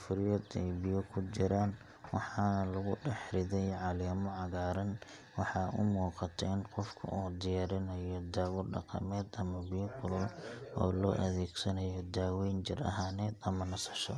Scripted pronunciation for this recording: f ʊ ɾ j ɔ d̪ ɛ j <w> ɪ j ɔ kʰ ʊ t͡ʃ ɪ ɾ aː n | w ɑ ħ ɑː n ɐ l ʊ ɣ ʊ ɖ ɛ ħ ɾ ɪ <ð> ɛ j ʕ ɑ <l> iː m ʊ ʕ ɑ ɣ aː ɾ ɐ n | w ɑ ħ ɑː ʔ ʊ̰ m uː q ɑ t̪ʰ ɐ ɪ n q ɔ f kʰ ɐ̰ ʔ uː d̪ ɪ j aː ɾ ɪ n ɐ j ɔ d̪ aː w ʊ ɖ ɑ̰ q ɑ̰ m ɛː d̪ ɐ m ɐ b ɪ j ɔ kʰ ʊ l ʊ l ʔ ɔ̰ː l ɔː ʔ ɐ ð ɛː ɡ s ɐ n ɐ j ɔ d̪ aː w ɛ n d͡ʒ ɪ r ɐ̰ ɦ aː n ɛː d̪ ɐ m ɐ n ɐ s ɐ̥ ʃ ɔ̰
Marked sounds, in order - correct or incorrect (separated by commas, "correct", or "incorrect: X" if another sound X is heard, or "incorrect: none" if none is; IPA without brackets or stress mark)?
incorrect: b, correct, correct